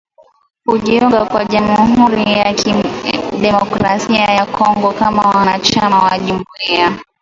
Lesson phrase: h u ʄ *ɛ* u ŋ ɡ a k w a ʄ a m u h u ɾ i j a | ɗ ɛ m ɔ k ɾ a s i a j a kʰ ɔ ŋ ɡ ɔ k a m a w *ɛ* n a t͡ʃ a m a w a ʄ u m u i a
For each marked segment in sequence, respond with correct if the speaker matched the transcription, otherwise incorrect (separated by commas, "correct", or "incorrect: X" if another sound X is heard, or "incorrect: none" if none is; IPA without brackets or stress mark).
incorrect: i, incorrect: a